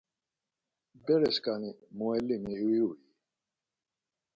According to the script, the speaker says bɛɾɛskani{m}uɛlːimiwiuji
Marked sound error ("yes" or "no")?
no